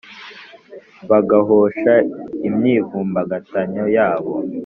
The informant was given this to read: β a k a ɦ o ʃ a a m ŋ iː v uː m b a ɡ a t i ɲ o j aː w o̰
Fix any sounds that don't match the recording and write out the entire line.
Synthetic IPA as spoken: β a ɡ a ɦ o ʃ a i m ɲ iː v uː m b a ɡ a t a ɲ o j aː β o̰